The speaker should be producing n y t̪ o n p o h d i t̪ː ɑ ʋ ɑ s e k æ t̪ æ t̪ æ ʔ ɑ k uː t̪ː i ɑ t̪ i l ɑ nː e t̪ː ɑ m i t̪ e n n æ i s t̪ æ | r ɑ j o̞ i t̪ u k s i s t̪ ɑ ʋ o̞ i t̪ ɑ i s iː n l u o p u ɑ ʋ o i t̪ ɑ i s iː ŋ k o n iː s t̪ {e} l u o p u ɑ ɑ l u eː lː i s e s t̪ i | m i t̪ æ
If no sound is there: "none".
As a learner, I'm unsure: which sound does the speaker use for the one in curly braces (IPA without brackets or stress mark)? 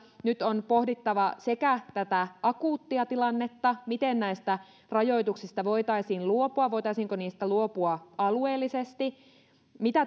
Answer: æ